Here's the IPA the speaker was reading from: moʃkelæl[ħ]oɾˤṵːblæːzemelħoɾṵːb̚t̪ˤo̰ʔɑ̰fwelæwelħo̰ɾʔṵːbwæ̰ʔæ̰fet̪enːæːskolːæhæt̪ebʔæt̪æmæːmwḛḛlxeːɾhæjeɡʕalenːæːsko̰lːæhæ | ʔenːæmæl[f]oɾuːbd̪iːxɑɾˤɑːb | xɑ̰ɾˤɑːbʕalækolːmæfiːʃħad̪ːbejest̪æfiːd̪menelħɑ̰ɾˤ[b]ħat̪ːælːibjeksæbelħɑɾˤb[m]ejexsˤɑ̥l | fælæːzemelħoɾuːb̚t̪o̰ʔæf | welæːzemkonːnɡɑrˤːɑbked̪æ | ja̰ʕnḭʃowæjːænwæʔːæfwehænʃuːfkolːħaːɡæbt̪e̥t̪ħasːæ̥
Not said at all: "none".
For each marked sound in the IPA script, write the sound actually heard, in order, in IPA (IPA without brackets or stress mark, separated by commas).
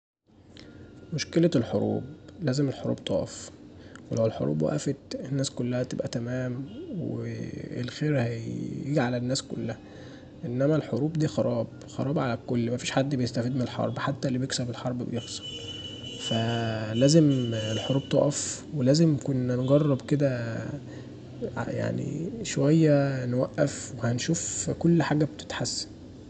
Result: ħ, ħ, b, b